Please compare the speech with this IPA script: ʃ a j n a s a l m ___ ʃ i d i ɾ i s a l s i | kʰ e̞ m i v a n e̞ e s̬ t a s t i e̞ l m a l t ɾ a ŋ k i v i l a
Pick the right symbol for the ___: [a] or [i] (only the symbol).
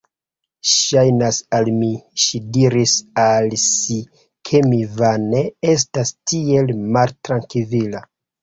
i